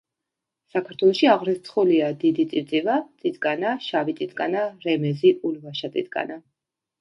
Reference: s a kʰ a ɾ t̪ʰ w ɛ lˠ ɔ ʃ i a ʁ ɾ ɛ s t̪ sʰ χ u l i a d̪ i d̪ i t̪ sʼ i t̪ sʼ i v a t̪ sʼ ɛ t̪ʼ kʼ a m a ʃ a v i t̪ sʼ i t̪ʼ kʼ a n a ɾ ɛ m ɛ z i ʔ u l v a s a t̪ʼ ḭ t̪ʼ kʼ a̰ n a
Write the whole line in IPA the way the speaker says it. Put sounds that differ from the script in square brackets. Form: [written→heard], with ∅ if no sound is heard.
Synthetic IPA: s a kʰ a ɾ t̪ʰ w ɛ lˠ ɔ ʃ i a ʁ ɾ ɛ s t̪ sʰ χ u l i a d̪ i d̪ i t̪ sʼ i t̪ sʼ i v a t̪ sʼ [ɛ→i] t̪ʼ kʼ a [m→n] a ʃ a v i t̪ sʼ i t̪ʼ kʼ a n a ɾ ɛ m ɛ z i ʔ u l v a [s→ʃ] a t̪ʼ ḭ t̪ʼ kʼ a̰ n a